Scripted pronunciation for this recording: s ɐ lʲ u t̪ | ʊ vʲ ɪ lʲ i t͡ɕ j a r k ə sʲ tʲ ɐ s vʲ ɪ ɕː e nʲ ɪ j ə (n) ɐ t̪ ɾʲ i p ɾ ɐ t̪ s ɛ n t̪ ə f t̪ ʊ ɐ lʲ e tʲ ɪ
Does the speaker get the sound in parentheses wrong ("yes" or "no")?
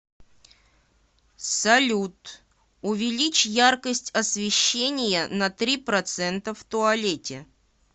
no